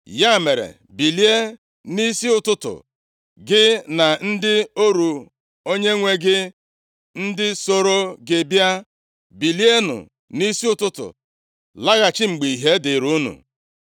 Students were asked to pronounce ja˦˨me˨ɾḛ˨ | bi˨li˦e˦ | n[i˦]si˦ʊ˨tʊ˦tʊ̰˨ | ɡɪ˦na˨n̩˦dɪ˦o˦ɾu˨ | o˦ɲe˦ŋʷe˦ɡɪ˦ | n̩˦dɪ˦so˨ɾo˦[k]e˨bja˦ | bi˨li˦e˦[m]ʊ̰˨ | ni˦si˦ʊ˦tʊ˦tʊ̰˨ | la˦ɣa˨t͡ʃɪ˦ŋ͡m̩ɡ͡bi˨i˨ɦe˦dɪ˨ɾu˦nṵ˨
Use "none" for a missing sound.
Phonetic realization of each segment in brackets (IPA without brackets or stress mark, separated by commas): i˦, ɡ, n